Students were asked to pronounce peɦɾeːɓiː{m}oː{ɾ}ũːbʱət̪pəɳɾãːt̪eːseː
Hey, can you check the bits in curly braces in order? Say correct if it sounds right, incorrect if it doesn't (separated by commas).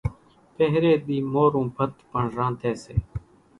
correct, correct